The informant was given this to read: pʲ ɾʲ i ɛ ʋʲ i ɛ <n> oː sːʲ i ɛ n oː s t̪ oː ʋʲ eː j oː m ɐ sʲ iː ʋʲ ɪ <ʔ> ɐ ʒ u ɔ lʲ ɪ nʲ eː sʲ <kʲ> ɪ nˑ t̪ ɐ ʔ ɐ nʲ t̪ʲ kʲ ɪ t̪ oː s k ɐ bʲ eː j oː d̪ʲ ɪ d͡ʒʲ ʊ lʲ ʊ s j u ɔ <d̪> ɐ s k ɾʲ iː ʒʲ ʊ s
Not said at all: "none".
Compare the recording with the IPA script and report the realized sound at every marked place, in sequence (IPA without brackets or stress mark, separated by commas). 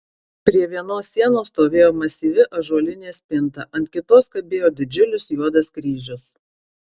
n, ʔ, pʲ, d̪